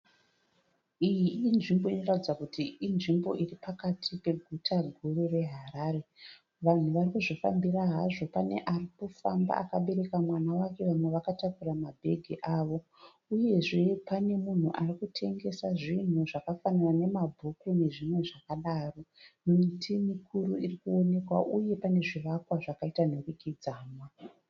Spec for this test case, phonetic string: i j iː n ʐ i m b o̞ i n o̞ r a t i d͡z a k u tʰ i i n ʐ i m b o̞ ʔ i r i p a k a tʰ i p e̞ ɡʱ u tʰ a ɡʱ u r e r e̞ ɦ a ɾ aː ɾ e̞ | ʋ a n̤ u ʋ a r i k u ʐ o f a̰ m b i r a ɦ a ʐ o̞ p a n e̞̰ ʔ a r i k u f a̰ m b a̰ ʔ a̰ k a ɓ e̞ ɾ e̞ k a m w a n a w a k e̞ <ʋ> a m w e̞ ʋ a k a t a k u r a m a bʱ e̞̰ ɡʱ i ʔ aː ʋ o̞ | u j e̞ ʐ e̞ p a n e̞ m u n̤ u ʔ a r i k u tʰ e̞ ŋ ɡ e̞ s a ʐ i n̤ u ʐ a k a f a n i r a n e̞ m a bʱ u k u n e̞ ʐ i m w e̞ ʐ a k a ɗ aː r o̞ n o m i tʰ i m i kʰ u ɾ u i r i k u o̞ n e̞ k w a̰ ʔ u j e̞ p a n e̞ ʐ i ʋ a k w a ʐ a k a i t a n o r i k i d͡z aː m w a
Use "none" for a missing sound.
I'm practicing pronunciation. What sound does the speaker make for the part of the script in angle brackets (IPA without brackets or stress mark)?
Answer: ʋ